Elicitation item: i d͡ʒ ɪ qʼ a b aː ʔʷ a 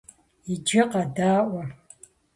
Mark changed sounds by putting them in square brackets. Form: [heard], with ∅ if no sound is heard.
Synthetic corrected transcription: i d͡ʒ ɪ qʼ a [d] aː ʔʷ a